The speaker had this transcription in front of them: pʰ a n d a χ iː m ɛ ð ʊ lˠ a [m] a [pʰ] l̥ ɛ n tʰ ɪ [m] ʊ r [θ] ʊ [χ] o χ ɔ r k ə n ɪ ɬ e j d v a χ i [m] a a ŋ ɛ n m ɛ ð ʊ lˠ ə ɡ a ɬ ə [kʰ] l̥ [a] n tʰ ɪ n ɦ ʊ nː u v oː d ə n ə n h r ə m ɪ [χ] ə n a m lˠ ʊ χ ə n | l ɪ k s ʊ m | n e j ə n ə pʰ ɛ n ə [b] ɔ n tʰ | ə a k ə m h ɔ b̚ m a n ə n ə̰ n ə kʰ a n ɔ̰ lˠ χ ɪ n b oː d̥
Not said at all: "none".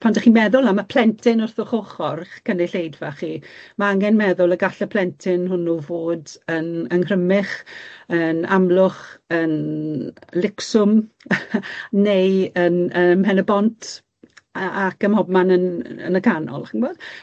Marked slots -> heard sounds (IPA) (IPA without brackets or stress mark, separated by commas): m, pʰ, n, θ, χ, m, pʰ, ɛ, χ, b